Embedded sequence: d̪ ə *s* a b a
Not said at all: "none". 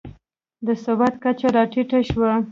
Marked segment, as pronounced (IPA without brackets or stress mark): s